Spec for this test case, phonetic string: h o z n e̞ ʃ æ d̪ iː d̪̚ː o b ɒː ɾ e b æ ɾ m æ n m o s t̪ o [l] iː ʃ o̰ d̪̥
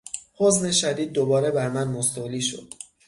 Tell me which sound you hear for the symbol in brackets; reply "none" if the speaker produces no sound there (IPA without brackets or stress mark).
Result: l